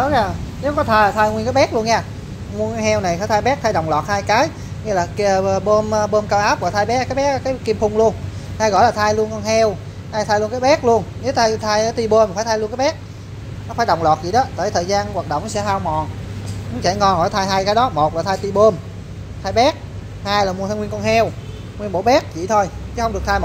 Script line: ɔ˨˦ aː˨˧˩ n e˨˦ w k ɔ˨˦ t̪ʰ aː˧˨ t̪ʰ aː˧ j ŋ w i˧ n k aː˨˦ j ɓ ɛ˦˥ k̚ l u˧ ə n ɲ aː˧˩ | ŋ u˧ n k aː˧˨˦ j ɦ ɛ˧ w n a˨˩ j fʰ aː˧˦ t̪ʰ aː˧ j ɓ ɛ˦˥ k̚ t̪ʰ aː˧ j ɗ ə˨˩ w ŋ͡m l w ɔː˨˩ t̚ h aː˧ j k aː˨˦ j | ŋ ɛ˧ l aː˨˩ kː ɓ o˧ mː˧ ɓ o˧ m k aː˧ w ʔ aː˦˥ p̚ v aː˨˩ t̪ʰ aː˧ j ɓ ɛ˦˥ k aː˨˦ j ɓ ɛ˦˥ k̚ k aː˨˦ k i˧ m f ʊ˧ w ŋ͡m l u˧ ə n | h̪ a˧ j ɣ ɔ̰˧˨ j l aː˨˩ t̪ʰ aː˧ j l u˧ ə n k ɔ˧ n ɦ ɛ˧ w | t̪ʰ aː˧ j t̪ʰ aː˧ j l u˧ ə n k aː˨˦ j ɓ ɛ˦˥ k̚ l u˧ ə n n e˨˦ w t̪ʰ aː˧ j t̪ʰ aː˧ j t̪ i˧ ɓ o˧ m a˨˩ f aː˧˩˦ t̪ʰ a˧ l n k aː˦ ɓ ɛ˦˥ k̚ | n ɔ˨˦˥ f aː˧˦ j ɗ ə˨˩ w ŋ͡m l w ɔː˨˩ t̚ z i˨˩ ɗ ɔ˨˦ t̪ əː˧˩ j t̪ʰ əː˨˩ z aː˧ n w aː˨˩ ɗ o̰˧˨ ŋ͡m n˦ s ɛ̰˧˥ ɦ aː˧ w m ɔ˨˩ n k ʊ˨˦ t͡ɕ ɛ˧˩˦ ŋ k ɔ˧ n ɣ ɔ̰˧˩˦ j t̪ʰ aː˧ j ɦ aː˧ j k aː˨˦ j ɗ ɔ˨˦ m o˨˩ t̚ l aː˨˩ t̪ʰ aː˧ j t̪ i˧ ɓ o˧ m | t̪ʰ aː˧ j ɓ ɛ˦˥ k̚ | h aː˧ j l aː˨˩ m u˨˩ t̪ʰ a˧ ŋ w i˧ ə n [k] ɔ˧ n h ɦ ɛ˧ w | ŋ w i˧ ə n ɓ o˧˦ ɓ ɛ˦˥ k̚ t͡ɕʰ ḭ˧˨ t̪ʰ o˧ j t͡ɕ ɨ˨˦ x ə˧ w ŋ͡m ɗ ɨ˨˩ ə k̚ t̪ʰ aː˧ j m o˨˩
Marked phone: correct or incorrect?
correct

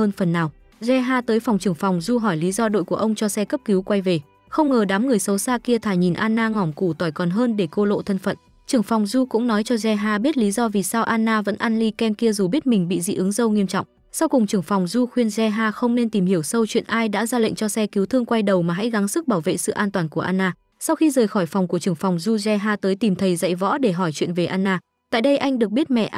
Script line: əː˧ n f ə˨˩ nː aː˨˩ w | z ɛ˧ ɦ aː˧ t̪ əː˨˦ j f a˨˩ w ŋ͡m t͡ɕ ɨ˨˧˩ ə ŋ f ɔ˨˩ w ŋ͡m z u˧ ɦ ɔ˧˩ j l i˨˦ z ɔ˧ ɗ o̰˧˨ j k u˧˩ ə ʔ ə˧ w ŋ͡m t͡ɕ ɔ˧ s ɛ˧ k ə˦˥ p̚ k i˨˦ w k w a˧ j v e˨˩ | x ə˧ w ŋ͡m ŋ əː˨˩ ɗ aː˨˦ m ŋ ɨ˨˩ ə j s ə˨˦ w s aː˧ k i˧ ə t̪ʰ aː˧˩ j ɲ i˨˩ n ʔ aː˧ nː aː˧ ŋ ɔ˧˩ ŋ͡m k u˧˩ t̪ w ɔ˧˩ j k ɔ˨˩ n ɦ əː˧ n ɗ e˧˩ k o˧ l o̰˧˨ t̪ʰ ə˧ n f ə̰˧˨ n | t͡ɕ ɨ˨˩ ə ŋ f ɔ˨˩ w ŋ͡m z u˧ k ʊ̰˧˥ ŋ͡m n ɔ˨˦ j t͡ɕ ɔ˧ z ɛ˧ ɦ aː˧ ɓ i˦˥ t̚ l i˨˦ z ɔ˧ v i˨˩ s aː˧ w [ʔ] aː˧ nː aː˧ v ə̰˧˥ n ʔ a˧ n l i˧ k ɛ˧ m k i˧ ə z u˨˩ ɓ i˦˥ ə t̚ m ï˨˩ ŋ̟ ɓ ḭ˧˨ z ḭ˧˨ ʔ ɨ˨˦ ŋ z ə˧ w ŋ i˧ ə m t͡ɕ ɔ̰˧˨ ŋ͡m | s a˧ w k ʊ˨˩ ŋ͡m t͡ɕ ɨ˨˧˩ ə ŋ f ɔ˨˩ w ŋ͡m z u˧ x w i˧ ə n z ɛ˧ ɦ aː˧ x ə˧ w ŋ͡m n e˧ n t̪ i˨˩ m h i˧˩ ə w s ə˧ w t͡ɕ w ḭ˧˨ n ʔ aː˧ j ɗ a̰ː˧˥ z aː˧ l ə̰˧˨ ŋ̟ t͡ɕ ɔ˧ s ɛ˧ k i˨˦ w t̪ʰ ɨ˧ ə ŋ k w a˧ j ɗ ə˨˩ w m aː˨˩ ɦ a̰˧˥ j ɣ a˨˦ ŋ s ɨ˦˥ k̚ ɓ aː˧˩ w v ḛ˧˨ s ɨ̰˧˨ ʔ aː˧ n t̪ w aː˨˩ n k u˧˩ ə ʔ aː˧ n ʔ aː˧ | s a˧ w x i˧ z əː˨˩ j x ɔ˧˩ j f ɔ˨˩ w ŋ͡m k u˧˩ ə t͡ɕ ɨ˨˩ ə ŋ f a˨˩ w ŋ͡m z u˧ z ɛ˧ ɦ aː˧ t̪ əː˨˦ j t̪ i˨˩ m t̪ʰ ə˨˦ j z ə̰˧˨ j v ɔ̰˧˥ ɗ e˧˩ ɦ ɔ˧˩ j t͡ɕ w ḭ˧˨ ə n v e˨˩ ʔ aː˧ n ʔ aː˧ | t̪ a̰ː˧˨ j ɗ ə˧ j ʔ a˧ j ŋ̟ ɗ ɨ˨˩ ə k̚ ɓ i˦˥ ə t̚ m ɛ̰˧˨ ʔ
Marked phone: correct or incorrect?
correct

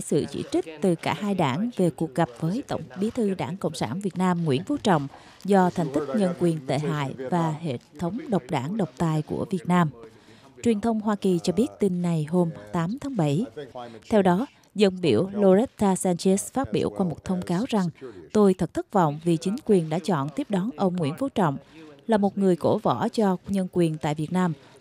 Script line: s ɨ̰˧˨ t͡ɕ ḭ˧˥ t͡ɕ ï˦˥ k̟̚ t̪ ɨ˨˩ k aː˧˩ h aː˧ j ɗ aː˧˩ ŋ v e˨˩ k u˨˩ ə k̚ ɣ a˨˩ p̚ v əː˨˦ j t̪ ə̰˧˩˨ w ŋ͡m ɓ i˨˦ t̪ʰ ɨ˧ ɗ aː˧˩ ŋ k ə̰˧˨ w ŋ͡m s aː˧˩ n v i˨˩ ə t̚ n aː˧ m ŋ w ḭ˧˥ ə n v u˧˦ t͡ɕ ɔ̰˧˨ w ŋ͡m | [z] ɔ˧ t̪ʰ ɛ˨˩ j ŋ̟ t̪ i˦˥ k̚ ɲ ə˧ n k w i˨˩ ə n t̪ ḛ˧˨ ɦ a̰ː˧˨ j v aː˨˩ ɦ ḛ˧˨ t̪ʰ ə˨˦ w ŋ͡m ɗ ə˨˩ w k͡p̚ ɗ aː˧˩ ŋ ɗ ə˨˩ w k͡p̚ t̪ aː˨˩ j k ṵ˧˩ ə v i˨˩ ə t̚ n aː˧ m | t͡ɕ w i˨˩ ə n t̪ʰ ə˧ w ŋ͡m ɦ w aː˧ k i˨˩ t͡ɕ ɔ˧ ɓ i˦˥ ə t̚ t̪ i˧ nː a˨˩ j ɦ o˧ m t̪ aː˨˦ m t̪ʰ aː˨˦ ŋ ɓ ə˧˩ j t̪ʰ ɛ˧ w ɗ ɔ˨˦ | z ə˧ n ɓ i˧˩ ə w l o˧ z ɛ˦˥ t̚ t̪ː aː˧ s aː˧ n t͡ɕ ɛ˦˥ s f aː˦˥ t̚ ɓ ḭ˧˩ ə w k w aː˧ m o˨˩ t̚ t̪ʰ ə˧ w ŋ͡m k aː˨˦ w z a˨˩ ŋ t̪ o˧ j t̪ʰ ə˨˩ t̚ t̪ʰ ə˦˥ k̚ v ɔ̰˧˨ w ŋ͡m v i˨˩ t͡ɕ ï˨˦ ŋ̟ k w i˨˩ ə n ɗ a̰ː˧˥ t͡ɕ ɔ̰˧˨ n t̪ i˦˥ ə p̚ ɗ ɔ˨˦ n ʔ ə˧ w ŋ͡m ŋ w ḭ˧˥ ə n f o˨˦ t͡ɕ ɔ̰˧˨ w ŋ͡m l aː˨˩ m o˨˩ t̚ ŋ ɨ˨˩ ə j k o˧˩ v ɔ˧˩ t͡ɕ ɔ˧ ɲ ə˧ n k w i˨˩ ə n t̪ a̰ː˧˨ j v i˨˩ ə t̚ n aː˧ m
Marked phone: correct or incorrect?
correct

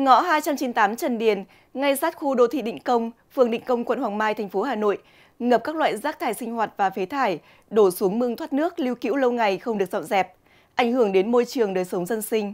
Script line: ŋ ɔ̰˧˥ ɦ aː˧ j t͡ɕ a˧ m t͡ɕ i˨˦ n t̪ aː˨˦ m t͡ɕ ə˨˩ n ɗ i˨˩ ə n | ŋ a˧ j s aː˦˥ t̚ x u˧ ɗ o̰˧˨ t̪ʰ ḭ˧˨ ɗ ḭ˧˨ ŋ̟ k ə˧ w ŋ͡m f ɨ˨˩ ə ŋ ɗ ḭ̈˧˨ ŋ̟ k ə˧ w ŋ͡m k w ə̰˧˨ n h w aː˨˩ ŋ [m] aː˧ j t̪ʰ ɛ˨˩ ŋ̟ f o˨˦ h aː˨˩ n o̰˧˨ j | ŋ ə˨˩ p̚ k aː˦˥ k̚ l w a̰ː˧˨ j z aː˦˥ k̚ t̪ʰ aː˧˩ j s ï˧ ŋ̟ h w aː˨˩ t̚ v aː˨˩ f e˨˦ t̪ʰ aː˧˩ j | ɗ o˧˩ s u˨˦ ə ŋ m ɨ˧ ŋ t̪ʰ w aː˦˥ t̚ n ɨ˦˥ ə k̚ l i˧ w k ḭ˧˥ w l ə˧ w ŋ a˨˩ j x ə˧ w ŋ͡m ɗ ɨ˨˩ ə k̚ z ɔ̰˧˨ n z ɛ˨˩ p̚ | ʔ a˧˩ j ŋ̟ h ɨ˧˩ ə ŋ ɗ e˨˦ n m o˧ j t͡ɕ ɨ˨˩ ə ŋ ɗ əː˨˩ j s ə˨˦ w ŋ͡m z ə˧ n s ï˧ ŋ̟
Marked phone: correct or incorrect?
correct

